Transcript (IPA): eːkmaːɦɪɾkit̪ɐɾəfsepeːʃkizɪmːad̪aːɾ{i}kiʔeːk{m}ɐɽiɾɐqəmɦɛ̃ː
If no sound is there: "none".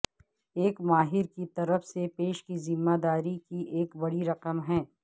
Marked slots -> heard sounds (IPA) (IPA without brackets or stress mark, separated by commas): i, b